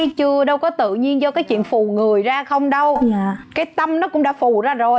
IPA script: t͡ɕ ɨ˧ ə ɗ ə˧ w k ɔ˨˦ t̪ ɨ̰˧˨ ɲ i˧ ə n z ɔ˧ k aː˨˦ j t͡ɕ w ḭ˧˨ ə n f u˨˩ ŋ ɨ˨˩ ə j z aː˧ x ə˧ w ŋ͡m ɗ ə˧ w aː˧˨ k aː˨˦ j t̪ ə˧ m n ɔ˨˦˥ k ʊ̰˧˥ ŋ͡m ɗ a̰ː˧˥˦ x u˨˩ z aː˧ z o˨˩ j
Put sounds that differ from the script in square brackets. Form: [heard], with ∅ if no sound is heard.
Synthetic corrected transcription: t͡ɕ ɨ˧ ə ɗ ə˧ w k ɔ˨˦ t̪ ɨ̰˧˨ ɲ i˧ ə n z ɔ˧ k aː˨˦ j t͡ɕ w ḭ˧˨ ə n f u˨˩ ŋ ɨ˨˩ ə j z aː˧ x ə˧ w ŋ͡m ɗ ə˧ w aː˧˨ k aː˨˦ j t̪ ə˧ m n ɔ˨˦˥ k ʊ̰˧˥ ŋ͡m ɗ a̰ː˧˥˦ [f] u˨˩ z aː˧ z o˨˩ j